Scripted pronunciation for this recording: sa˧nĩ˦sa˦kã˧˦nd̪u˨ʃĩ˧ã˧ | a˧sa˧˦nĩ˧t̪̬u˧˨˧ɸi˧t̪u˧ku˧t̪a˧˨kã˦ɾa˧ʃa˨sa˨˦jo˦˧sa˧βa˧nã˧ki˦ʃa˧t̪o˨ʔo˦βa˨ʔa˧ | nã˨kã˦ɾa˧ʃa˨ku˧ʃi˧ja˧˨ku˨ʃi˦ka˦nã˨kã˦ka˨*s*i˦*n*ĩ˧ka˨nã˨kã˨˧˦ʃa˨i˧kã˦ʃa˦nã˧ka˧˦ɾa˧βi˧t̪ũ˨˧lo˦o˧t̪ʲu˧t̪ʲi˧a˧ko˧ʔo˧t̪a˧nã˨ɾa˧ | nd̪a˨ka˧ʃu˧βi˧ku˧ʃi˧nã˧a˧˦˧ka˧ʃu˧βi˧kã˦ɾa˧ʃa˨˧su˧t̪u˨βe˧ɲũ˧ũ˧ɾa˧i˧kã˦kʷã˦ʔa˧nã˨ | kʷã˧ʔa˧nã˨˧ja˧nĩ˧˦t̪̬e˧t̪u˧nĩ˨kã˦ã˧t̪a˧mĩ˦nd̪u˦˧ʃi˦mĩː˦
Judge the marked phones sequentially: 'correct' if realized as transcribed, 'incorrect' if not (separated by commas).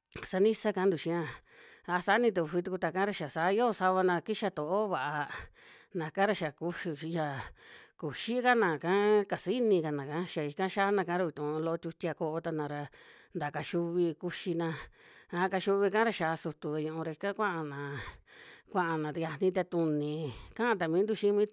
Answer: correct, correct